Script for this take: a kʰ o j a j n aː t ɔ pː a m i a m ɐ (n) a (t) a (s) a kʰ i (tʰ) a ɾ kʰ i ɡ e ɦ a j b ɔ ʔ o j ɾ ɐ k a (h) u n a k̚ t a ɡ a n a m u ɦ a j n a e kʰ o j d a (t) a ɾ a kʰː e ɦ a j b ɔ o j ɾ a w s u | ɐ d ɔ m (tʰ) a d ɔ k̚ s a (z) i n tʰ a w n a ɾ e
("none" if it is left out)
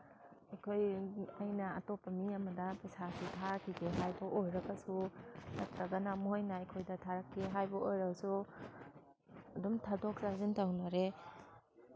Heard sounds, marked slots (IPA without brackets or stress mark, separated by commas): d, p, s, tʰ, s, tʰ, tʰ, z